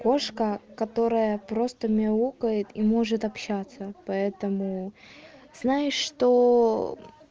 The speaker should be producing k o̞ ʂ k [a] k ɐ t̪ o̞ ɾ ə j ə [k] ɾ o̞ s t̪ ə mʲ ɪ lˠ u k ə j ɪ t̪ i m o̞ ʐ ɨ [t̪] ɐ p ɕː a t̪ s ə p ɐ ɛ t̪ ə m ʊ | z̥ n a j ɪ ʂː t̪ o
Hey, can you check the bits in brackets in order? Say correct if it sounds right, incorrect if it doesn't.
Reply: incorrect: ə, incorrect: p, correct

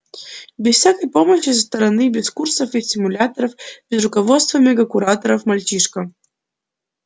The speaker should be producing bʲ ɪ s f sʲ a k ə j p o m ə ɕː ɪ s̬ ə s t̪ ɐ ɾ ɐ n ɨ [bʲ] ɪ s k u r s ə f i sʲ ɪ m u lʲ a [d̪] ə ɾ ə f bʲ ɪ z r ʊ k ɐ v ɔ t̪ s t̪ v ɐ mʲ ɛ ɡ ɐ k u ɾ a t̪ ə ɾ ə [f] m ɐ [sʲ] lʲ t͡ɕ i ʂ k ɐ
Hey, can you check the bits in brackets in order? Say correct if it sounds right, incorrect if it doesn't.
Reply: correct, incorrect: t̪, correct, incorrect: none

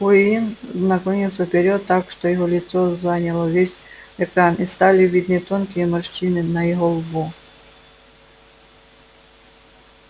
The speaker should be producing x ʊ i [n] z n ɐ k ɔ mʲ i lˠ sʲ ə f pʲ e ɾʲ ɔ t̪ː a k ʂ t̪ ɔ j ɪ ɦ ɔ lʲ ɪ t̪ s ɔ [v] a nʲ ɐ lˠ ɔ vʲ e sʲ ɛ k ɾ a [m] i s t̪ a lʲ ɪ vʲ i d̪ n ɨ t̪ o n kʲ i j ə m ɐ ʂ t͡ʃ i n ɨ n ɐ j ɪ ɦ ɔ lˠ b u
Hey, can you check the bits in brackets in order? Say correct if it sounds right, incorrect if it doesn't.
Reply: correct, incorrect: z, incorrect: n

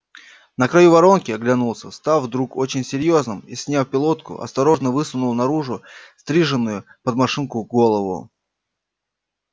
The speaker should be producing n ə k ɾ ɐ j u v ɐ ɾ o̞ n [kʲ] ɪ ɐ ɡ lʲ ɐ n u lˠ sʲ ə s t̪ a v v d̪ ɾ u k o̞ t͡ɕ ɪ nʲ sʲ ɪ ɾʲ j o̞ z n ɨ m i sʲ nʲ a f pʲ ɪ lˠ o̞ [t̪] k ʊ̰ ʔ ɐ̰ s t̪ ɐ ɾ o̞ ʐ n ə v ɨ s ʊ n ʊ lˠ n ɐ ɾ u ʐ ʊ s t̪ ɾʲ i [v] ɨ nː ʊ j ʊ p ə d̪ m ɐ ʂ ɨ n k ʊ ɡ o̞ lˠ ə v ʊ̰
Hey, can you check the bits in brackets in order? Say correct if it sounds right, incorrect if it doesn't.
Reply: correct, correct, incorrect: ʐ

